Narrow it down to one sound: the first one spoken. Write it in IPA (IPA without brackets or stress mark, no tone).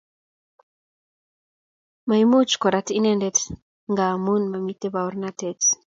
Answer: m